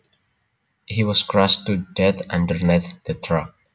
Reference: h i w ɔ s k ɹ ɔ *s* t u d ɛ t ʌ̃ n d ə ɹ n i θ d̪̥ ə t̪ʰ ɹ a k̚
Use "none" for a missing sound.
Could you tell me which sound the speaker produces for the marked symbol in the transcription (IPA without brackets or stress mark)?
s